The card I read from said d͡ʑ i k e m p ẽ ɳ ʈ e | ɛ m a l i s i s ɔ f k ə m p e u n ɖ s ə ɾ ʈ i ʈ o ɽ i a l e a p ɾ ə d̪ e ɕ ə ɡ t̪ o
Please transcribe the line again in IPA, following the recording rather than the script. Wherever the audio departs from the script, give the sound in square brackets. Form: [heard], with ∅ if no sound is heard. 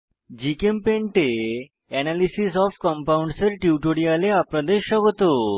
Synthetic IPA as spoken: d͡ʑ i k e m p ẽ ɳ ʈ e | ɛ [n] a l i s i s ɔ f k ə m p [a] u [ɳ] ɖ s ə ɾ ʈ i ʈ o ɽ i a l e a p ɾ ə d̪ e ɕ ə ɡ t̪ o

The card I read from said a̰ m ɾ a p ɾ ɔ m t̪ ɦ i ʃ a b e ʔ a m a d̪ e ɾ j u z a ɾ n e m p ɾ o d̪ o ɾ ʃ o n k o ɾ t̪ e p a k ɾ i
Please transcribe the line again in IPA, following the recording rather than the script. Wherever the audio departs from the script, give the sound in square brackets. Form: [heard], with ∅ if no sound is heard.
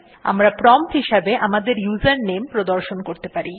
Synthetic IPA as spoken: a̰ m ɾ a p ɾ ɔ m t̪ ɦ i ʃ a b e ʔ a m a d̪ e ɾ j u z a ɾ n e m p ɾ o d̪ o ɾ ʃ o n k o ɾ t̪ e p a [∅] ɾ i

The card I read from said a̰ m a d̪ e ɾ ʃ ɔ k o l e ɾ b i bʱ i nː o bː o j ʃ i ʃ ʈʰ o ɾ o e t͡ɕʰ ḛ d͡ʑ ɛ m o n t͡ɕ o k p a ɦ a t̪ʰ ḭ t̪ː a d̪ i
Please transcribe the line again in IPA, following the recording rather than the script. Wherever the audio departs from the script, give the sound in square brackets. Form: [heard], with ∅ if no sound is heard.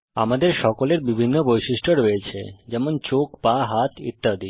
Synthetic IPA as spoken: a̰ m a d̪ e ɾ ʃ ɔ k o l e ɾ b i bʱ i nː o [b] o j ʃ i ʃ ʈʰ o ɾ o e t͡ɕʰ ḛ d͡ʑ ɛ m o n t͡ɕ o k p a ɦ a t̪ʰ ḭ t̪ː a d̪ i

